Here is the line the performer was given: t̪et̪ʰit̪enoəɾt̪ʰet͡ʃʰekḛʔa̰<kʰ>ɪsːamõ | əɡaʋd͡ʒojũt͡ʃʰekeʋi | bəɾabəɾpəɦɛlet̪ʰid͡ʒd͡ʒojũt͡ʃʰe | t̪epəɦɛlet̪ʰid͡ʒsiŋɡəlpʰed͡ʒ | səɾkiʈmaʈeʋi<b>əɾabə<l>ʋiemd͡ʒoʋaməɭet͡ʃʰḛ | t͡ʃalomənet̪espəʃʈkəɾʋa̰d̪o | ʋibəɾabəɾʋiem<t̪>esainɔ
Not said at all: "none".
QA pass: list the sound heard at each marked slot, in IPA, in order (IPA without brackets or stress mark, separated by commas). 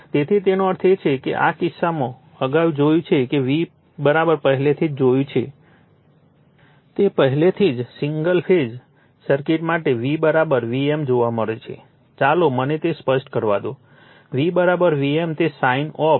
k, b, ɾ, t̪